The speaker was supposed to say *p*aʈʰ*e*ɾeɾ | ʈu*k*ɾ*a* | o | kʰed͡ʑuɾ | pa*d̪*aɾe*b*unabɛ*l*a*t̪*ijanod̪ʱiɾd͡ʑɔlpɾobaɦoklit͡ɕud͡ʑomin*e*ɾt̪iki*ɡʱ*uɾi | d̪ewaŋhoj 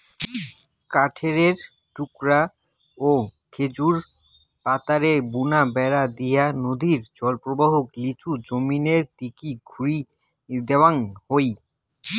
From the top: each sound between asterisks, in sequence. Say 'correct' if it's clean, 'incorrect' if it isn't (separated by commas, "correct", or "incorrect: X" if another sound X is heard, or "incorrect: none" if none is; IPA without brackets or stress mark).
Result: incorrect: k, correct, correct, correct, incorrect: t̪, correct, incorrect: ɾ, incorrect: d̪, correct, correct